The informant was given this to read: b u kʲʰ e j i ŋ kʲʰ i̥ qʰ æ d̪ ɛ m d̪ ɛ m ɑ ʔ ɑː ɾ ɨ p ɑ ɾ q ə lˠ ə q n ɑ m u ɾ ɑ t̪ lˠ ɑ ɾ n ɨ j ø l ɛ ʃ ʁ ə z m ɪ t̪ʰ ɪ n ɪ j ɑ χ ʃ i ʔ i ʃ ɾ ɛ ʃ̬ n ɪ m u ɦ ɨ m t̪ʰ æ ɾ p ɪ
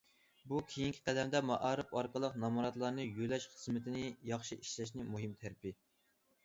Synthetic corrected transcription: b u kʲʰ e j i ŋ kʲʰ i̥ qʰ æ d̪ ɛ m d̪ ɛ m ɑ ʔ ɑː ɾ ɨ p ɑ ɾ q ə lˠ ə q n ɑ m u ɾ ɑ t̪ lˠ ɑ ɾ n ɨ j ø l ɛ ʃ χ ə z m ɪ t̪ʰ ɪ n ɪ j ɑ χ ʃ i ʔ i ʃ l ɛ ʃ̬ n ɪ m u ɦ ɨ m t̪ʰ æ ɾ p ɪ

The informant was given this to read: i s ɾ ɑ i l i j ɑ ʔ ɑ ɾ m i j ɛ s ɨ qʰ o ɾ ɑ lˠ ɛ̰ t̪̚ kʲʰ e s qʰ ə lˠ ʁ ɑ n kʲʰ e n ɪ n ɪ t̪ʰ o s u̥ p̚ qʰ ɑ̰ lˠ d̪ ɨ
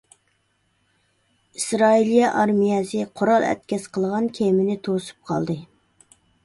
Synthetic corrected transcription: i s ɾ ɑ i l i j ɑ ʔ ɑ ɾ m i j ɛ s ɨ qʰ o ɾ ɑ lˠ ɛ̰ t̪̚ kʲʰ ɛ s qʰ ə lˠ ʁ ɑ n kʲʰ e m ɪ n ɪ t̪ʰ o s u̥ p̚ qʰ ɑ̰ lˠ d̪ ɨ

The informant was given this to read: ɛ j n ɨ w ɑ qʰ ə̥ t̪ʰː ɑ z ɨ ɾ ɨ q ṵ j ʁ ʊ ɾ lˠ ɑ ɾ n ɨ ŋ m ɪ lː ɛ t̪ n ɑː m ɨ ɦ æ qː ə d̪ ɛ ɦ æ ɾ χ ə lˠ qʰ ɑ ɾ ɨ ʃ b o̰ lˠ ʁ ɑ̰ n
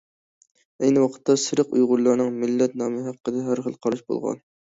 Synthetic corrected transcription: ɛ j n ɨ w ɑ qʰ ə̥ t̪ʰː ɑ s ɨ ɾ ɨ q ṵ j ʁ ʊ ɾ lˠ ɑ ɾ n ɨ ŋ m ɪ lː ɛ t̪ n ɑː m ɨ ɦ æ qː ə d̪ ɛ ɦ æ ɾ χ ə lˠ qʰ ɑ ɾ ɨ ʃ b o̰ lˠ ʁ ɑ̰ n

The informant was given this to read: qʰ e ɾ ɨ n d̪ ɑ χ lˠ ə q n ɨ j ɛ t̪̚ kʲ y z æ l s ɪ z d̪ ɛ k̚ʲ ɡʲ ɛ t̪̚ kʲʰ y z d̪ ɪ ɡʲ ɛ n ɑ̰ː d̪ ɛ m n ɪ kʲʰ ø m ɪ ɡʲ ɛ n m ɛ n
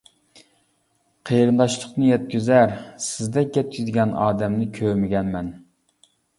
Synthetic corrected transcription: qʰ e ɾ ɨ n d̪ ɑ ʃ lˠ ə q n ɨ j ɛ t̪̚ kʲ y z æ ɾ s ɪ z d̪ ɛ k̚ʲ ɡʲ ɛ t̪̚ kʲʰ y z d̪ ɪ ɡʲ ɛ n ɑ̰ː d̪ ɛ m n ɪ kʲʰ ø m ɪ ɡʲ ɛ n m ɛ n

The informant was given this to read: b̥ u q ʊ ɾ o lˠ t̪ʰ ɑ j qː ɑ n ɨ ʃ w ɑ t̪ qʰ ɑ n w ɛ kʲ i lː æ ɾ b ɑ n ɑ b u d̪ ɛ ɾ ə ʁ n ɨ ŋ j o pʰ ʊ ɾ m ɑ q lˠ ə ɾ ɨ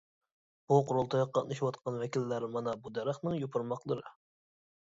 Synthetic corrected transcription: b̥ u q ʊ ɾ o lˠ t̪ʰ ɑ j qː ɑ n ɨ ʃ w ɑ t̪ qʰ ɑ n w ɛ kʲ i lː æ ɾ m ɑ n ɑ b u d̪ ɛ ɾ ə χ n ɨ ŋ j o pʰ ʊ ɾ m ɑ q lˠ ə ɾ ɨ

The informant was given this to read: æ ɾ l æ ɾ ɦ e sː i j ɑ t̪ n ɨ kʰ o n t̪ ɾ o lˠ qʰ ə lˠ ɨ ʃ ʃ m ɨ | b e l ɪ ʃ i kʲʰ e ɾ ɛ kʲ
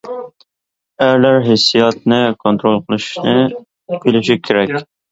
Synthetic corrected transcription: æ ɾ l æ ɾ ɦ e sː i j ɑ t̪ n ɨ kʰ o n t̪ ɾ o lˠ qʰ ə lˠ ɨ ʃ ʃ n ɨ | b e l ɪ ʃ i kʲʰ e ɾ ɛ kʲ

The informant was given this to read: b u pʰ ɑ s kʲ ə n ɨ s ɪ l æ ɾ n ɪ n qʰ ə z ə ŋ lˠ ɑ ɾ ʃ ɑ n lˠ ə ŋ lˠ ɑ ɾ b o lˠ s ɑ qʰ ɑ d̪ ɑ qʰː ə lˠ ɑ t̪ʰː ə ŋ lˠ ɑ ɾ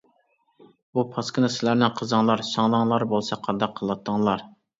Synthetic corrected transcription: b u pʰ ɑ s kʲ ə n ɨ s ɪ l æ ɾ n ɪ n qʰ ə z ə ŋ lˠ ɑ ɾ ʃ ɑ ŋ lˠ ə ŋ lˠ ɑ ɾ b o lˠ s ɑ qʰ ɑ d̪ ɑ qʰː ə lˠ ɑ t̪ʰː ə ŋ lˠ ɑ ɾ

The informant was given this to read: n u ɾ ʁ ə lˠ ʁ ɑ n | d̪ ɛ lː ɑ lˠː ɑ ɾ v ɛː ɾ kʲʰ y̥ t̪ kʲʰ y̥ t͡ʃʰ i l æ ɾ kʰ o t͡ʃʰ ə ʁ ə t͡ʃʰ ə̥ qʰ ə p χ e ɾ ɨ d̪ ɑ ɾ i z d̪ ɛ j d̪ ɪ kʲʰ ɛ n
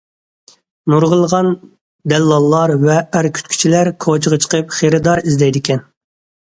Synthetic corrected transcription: n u ɾ ʁ ə lˠ ʁ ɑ n | d̪ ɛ lː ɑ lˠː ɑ ɾ v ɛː ɾ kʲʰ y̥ t̪ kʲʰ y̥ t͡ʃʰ i l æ ɾ kʰ o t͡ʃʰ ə ʁ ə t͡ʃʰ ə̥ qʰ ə p χ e ɾ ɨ d̪ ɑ ɾ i z d̪ ɛ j d̪ ɪ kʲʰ ɛ n

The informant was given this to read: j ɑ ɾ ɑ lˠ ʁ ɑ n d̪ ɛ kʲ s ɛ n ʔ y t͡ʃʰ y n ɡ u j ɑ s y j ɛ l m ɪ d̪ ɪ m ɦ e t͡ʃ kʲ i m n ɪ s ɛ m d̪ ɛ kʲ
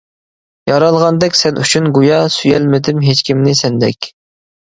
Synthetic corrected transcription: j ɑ ɾ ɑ lˠ ʁ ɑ n d̪ ɛ kʲ s ɛ n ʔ y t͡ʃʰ y n ɡ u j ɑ s y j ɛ l m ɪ d̪ ɪ m ɦ e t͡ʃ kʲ i m n ɪ s ɛ n d̪ ɛ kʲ

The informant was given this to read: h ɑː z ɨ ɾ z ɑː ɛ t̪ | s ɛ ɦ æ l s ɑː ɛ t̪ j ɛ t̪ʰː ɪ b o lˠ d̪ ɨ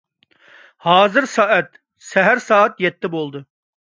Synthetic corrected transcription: h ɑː z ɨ ɾ s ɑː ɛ t̪ | s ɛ ɦ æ ɾ s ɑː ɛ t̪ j ɛ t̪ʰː ɪ b o lˠ d̪ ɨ

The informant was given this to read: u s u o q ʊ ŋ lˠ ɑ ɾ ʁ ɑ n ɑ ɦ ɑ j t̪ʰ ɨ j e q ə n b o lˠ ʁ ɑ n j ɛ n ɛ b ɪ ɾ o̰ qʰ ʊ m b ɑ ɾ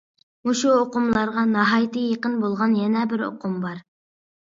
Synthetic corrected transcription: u ʃ u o q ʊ m lˠ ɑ ɾ ʁ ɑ n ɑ ɦ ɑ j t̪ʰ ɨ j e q ə n b o lˠ ʁ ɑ n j ɛ n ɛ b ɪ ɾ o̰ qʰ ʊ m b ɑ ɾ

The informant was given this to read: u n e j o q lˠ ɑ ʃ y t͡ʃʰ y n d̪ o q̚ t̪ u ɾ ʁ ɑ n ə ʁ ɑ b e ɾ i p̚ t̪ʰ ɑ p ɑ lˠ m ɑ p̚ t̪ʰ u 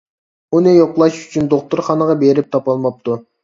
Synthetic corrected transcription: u n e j o q lˠ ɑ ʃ y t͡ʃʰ y n d̪ o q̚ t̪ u ɾ χ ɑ n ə ʁ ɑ b e ɾ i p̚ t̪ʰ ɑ p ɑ lˠ m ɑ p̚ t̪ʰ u

